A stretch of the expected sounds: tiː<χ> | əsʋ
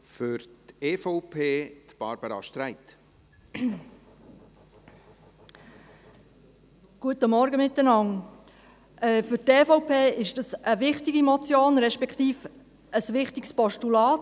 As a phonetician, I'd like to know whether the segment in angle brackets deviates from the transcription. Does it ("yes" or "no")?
yes